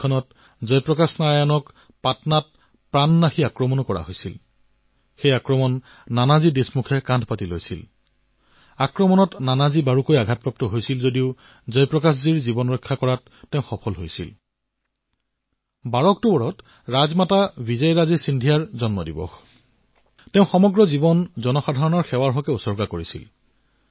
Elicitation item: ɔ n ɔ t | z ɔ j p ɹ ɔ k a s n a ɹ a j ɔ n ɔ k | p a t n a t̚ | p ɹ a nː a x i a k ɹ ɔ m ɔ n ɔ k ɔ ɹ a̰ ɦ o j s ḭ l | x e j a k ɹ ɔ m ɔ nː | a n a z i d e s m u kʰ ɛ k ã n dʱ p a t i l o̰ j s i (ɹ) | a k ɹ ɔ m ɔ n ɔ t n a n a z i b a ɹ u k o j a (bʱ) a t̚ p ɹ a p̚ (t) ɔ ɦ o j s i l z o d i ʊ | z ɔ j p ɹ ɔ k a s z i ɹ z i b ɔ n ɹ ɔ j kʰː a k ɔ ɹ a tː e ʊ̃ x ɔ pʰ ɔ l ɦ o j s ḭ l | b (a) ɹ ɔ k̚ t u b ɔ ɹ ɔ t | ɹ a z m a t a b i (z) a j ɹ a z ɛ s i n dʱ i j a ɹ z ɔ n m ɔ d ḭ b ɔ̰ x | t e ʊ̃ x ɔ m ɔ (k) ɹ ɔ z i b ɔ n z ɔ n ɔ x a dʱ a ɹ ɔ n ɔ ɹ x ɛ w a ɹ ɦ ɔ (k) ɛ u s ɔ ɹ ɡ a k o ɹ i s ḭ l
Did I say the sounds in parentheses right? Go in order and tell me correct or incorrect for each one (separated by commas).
incorrect, incorrect, correct, correct, correct, incorrect, correct